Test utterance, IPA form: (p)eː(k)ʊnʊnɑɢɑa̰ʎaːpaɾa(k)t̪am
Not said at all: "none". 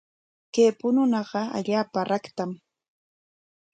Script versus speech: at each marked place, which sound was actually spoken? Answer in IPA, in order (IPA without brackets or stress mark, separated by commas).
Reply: k, p, k